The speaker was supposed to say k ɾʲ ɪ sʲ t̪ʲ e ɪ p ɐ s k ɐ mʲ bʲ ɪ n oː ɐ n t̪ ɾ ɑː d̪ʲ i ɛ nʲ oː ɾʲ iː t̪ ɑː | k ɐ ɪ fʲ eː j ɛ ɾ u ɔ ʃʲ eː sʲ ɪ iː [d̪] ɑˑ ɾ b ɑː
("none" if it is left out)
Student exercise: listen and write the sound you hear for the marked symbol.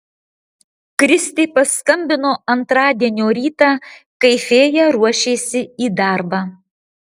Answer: d̪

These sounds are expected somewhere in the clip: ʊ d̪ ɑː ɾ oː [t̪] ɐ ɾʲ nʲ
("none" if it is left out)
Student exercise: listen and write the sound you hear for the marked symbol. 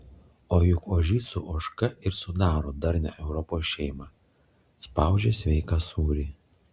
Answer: d̪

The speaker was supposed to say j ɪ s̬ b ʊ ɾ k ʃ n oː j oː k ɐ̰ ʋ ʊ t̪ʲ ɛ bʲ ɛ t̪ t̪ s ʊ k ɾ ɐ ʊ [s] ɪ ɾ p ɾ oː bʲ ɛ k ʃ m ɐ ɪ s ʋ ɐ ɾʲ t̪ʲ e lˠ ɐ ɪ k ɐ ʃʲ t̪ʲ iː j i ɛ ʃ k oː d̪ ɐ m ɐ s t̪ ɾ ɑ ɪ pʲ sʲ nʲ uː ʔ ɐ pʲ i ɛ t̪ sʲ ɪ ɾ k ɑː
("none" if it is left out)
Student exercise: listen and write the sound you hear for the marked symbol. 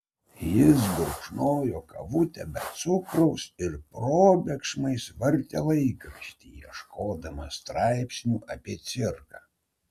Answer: s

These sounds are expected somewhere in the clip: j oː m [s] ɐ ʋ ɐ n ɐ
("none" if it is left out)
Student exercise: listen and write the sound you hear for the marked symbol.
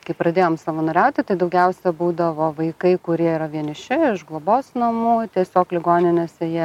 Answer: s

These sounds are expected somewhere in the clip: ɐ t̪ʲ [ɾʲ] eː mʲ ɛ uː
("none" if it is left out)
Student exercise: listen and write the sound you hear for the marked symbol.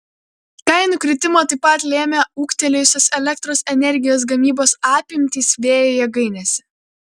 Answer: lʲ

